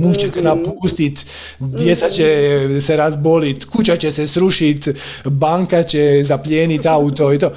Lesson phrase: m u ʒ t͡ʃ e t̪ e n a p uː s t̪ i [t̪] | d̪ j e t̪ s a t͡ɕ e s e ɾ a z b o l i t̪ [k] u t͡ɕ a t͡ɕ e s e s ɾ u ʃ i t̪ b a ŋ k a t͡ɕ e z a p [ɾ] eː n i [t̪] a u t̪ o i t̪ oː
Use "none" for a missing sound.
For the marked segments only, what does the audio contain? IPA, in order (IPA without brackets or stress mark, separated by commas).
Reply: t̪, k, ʎ, t̪